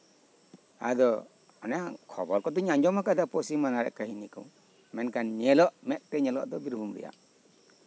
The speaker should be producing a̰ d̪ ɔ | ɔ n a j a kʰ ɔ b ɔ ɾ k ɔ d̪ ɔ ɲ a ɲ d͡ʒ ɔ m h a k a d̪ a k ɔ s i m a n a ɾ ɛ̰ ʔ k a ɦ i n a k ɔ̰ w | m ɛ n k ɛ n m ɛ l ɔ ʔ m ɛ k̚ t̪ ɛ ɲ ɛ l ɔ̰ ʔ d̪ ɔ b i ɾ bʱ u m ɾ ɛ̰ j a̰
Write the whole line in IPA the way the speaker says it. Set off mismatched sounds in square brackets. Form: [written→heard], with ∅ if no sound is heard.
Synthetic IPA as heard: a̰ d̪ ɔ | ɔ n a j a kʰ ɔ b ɔ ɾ k ɔ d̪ ɔ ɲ a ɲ d͡ʒ ɔ m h a k a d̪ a [k→p] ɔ s i m a n a ɾ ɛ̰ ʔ k a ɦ i n [a→i] k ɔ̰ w | m ɛ n k [ɛ→a] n [m→ɲ] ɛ l ɔ ʔ m ɛ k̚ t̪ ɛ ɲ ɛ l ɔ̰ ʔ d̪ ɔ b i ɾ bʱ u m ɾ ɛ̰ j a̰